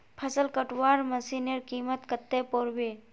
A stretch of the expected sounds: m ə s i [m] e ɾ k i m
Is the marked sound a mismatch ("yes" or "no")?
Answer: yes